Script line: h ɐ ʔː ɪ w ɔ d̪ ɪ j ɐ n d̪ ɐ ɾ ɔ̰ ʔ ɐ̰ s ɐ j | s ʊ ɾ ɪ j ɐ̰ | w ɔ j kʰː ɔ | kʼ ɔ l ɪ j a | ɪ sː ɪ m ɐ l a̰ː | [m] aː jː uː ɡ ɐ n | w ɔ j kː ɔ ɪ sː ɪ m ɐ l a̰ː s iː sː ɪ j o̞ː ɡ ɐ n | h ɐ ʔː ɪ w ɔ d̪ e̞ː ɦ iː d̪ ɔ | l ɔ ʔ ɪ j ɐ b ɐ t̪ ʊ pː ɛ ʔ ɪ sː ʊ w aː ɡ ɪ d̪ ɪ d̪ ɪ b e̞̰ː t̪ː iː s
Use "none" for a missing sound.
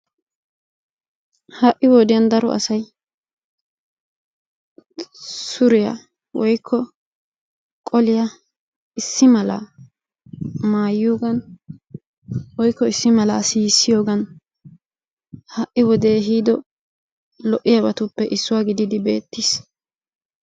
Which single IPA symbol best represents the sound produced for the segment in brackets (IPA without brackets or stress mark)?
m